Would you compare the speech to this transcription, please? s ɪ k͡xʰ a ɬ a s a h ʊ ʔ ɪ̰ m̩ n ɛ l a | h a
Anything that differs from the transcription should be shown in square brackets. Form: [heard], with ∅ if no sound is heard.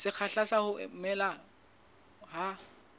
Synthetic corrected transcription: s ɪ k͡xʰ a ɬ a s a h ʊ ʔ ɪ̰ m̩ [m] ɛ l a | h a